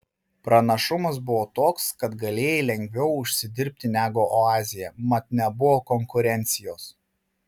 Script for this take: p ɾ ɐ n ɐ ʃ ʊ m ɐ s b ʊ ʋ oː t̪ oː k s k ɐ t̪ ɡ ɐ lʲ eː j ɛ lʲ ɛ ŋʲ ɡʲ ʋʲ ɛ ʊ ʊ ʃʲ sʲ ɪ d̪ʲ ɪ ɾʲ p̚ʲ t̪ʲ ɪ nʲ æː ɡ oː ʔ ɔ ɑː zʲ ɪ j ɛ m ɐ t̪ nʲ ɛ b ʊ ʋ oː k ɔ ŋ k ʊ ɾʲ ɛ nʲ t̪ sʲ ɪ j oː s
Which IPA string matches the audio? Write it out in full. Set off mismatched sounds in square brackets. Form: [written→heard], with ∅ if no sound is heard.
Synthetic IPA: p ɾ ɐ n ɐ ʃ ʊ m ɐ s b ʊ ʋ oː t̪ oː k s k ɐ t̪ ɡ ɐ lʲ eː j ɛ lʲ ɛ ŋʲ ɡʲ ʋʲ ɛ ʊ ʊ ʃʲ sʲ ɪ d̪ʲ ɪ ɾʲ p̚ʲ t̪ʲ ɪ nʲ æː ɡ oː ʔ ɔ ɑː zʲ ɪ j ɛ m ɐ t̪ nʲ ɛ b ʊ ʋ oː k ɔ ŋ k ʊ ɾʲ ɛ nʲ t̪ sʲ ɪ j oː s

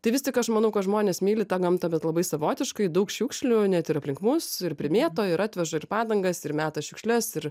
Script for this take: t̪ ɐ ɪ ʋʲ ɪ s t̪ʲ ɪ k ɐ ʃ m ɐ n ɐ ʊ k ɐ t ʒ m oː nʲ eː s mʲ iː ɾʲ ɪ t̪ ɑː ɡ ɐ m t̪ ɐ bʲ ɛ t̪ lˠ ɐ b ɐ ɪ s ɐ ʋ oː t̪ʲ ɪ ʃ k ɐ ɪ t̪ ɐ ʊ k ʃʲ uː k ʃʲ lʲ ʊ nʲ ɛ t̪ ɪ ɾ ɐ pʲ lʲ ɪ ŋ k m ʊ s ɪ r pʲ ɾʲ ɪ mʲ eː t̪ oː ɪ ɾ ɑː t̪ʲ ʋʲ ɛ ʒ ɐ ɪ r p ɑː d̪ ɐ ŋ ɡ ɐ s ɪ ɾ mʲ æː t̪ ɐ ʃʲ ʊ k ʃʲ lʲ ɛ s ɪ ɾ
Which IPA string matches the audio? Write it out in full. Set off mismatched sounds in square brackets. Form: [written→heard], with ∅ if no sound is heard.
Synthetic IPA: t̪ ɐ ɪ ʋʲ ɪ s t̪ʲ ɪ k ɐ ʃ m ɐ n ɐ ʊ k ɐ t ʒ m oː nʲ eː s mʲ iː [ɾʲ→lʲ] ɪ t̪ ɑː ɡ ɐ m t̪ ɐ bʲ ɛ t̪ lˠ ɐ b ɐ ɪ s ɐ ʋ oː t̪ʲ ɪ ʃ k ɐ ɪ [t̪→d̪] ɐ ʊ k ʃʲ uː k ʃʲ lʲ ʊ nʲ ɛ t̪ ɪ ɾ ɐ pʲ lʲ ɪ ŋ k m ʊ s ɪ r pʲ ɾʲ ɪ mʲ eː t̪ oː ɪ ɾ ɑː t̪ʲ ʋʲ ɛ ʒ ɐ ɪ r p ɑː d̪ ɐ ŋ ɡ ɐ s ɪ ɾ mʲ æː t̪ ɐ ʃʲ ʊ k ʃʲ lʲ ɛ s ɪ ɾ

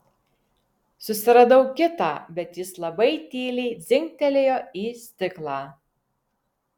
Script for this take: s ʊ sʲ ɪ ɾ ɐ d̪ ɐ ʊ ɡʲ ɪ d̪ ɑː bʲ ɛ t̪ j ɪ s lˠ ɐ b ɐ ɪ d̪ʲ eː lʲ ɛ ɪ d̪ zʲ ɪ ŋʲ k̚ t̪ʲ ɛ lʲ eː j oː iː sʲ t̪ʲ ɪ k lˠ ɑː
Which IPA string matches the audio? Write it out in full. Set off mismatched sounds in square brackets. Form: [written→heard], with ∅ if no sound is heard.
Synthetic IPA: s ʊ sʲ ɪ ɾ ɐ d̪ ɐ ʊ [ɡʲ→kʲ] ɪ [d̪→t̪] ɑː bʲ ɛ t̪ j ɪ s lˠ ɐ b ɐ ɪ [d̪ʲ→t̪ʲ] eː lʲ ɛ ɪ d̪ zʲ ɪ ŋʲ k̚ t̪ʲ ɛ lʲ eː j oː iː sʲ t̪ʲ ɪ k lˠ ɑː

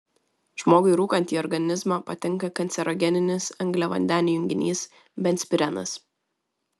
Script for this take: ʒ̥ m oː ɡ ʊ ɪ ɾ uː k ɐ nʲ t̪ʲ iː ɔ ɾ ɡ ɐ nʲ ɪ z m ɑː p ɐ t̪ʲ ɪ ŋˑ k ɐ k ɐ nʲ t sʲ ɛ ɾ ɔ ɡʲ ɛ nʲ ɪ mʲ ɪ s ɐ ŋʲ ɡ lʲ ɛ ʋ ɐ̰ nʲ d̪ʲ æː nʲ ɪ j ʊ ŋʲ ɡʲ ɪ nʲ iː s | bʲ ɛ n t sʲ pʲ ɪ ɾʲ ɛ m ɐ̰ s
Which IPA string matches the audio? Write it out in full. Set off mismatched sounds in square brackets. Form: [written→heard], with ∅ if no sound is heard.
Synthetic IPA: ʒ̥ m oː ɡ ʊ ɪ ɾ uː k ɐ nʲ t̪ʲ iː ɔ ɾ ɡ ɐ nʲ ɪ z m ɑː p ɐ t̪ʲ ɪ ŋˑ k ɐ k ɐ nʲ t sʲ ɛ ɾ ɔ ɡʲ ɛ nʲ ɪ [mʲ→nʲ] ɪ s ɐ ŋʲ ɡ lʲ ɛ ʋ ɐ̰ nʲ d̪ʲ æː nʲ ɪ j ʊ ŋʲ ɡʲ ɪ nʲ iː s | bʲ ɛ n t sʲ pʲ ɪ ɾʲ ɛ [m→n] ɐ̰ s

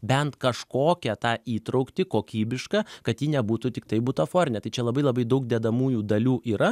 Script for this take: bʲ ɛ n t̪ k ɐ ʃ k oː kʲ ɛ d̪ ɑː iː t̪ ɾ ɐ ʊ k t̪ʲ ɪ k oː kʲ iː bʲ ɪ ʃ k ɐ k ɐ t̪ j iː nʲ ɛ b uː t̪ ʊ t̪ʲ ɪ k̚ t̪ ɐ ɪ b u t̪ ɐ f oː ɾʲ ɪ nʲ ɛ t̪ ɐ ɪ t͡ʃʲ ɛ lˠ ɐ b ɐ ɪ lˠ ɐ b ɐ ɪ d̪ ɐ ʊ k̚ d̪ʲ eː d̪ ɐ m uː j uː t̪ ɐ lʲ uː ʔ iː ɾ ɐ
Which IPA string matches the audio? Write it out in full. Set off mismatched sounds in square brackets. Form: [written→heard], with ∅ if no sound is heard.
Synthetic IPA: bʲ ɛ n t̪ k ɐ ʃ k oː kʲ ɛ [d̪→t̪] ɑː iː t̪ ɾ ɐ ʊ k t̪ʲ ɪ k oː kʲ iː bʲ ɪ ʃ k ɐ k ɐ t̪ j iː nʲ ɛ b uː t̪ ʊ t̪ʲ ɪ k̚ t̪ ɐ ɪ b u t̪ ɐ f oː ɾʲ ɪ nʲ ɛ t̪ ɐ ɪ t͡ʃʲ ɛ lˠ ɐ b ɐ ɪ lˠ ɐ b ɐ ɪ d̪ ɐ ʊ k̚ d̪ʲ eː d̪ ɐ m uː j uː [t̪→d̪] ɐ lʲ uː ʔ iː ɾ ɐ

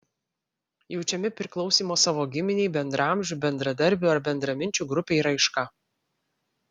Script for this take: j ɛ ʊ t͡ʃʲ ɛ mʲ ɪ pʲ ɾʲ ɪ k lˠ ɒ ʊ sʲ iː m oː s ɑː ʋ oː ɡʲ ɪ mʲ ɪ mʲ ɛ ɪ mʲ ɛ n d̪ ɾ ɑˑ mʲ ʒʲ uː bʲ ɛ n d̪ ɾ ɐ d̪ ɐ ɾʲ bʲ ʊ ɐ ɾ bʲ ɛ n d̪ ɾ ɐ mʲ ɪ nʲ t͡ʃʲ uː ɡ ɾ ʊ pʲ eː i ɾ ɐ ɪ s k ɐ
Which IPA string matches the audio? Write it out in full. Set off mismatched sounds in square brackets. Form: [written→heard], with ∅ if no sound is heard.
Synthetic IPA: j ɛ ʊ t͡ʃʲ ɛ mʲ ɪ pʲ ɾʲ ɪ k lˠ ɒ ʊ sʲ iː m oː s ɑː ʋ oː ɡʲ ɪ mʲ ɪ [mʲ→nʲ] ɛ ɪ [mʲ→bʲ] ɛ n d̪ ɾ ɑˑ mʲ ʒʲ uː bʲ ɛ n d̪ ɾ ɐ d̪ ɐ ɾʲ bʲ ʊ ɐ ɾ bʲ ɛ n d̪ ɾ ɐ mʲ ɪ nʲ t͡ʃʲ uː ɡ ɾ ʊ pʲ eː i ɾ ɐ ɪ [s→ʃ] k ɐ

